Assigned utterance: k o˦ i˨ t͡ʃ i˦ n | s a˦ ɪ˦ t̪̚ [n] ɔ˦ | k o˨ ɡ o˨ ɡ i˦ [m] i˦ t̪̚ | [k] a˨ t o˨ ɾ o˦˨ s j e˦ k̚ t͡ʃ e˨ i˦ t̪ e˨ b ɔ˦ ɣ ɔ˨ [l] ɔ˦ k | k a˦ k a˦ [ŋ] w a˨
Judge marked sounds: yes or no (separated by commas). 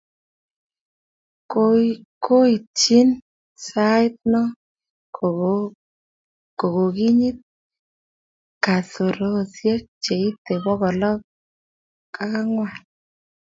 yes, no, yes, yes, yes